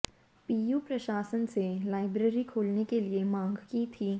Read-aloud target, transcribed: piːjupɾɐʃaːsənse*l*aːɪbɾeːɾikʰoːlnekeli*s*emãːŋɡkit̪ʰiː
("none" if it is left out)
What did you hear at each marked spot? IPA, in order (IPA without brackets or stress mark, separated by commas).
l, none